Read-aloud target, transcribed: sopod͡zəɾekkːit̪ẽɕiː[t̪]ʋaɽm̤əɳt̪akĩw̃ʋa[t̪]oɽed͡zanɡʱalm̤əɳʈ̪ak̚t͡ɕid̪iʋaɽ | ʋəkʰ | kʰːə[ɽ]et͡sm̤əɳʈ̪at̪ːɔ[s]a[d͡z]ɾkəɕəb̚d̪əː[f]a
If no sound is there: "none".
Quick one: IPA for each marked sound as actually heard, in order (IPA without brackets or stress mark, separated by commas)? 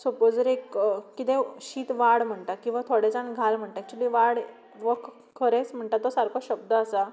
t̪, t̪ʰ, ɾ, s, none, s